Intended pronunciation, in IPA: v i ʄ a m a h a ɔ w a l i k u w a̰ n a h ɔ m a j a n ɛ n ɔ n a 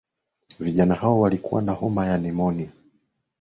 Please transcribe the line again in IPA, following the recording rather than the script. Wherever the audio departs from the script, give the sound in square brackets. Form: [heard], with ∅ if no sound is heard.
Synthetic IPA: v i ʄ a [n] a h a ɔ w a l i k u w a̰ n a h ɔ m a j a n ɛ [m] ɔ n [i]